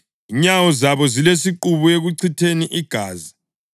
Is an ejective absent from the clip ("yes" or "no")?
yes